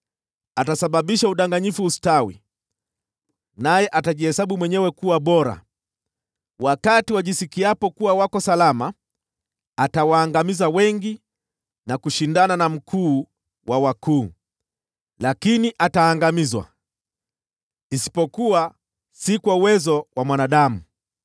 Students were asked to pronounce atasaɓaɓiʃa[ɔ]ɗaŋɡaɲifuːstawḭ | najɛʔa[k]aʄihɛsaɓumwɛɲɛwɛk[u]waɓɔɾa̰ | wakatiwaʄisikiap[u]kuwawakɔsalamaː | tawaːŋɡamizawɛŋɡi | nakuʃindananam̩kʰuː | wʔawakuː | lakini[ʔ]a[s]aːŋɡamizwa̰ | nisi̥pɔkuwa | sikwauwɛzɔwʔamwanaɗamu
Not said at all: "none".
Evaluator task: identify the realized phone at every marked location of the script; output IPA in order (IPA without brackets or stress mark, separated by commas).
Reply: u, t, u, ɔ, ʔ, t